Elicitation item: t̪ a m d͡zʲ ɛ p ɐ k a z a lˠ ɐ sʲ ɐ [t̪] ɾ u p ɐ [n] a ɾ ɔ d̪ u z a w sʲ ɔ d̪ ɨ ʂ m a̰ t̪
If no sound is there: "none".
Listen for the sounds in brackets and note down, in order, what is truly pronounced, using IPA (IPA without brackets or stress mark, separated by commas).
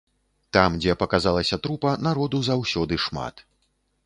t̪, n